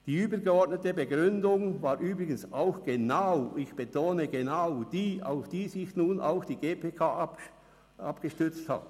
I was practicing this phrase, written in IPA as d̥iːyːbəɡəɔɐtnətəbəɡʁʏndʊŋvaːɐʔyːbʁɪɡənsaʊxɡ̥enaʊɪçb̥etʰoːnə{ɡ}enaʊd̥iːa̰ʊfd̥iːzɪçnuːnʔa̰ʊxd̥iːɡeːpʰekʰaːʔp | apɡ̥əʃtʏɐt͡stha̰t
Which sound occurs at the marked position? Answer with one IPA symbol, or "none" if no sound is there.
ɡ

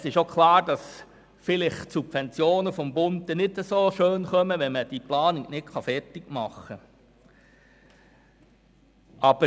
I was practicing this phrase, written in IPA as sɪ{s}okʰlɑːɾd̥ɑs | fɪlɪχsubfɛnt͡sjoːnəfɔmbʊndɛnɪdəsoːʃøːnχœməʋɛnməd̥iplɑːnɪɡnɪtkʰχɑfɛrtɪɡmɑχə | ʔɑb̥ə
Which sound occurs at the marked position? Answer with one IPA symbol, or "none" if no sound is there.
ʃ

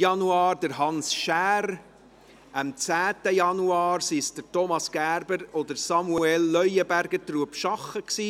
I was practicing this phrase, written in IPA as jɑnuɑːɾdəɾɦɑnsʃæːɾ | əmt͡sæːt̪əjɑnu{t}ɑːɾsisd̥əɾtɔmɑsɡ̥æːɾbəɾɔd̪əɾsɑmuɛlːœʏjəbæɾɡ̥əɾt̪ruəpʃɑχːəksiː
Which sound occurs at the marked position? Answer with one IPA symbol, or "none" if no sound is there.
none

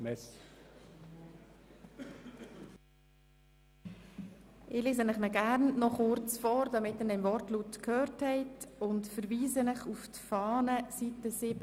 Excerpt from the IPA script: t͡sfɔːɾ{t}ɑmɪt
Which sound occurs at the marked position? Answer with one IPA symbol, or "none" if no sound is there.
d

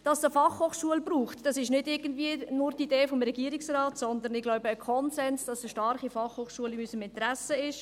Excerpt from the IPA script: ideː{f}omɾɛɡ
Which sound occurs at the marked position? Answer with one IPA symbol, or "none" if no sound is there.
f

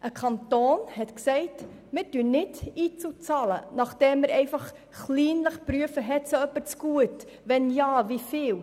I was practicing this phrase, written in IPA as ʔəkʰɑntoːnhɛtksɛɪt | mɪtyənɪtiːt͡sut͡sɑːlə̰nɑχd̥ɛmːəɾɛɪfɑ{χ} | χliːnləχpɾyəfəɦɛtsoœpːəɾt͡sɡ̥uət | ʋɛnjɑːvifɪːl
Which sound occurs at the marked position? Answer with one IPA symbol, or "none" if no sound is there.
χ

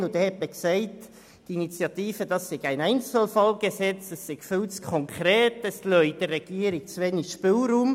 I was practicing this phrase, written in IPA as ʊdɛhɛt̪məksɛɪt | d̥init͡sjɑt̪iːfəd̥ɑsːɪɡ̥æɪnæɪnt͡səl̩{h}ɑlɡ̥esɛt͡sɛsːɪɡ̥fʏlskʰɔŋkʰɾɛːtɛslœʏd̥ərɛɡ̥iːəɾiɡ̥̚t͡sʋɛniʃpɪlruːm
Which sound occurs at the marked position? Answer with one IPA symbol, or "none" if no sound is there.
f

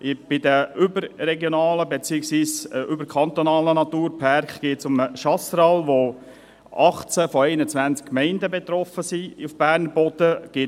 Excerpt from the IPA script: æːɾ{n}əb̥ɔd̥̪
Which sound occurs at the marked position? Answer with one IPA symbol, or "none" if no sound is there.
n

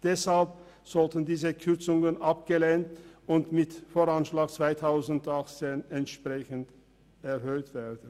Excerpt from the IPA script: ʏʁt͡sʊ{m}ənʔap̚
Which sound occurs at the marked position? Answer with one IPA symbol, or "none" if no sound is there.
ŋ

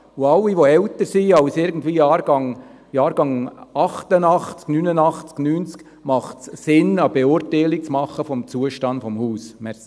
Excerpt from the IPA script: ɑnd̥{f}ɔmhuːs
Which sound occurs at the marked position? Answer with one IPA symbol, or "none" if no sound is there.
f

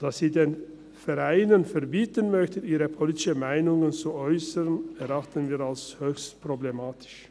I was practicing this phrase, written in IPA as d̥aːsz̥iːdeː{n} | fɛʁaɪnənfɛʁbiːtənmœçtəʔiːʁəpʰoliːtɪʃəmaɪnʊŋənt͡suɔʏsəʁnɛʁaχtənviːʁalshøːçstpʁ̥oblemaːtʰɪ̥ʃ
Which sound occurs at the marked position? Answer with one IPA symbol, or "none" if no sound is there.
n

